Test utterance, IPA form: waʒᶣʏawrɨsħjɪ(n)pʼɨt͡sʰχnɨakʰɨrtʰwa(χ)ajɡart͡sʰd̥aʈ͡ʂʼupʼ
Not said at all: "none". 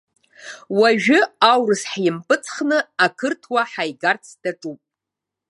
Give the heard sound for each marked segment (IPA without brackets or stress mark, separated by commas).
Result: m, ħ